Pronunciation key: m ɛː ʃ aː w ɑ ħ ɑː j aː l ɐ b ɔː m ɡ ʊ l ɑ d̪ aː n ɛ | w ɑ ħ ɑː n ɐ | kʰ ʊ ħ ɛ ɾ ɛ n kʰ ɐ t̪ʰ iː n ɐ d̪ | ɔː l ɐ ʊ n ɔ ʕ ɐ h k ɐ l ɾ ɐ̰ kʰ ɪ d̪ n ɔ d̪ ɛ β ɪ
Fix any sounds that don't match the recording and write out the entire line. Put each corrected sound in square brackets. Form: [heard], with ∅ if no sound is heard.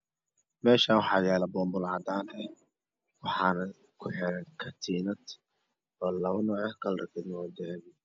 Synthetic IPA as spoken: m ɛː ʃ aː w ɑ ħ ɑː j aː l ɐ b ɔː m [b] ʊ l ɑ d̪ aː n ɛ | w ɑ ħ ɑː n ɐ | kʰ ʊ ħ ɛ ɾ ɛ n kʰ ɐ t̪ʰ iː n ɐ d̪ | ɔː l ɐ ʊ n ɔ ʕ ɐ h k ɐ l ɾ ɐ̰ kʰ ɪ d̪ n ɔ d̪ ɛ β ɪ